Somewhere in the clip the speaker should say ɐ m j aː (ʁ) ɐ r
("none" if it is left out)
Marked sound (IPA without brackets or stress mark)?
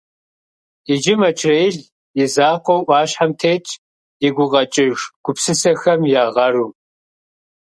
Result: ʁ